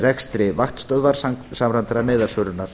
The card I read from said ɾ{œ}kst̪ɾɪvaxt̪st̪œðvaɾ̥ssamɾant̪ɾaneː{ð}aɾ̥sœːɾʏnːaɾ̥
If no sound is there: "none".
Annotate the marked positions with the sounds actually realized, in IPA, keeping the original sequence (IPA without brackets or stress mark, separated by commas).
ɛ, ð